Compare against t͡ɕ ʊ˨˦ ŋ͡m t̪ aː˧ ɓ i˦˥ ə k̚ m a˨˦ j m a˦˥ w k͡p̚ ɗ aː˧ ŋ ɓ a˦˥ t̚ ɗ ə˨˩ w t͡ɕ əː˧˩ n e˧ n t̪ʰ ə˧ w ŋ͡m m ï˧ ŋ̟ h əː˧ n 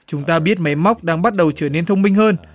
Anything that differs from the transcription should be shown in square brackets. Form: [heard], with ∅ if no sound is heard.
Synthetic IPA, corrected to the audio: t͡ɕ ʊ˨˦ ŋ͡m t̪ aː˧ ɓ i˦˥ ə [t̚] m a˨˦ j m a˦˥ w k͡p̚ ɗ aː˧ ŋ ɓ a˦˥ t̚ ɗ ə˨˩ w t͡ɕ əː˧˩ n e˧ n t̪ʰ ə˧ w ŋ͡m m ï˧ ŋ̟ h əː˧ n